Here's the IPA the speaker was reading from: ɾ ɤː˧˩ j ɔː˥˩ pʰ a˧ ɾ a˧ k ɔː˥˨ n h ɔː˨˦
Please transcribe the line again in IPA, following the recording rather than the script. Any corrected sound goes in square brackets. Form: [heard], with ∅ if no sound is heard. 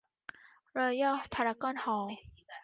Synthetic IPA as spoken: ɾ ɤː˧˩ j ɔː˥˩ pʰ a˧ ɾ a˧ k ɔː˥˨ n h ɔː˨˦